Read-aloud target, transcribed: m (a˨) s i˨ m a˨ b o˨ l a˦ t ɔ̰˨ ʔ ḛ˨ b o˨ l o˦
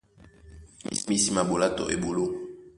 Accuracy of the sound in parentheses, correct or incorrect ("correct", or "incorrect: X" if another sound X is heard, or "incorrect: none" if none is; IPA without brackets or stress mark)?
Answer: incorrect: i˨